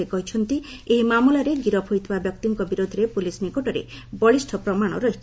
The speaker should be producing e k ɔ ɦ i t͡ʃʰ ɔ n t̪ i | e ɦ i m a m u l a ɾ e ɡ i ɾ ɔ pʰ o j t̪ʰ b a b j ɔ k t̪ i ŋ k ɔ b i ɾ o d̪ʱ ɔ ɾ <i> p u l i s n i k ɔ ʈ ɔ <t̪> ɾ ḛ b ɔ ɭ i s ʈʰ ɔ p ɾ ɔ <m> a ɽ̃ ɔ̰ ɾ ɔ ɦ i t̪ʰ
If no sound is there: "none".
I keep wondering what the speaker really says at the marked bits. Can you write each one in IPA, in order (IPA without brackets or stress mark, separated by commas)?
e, none, m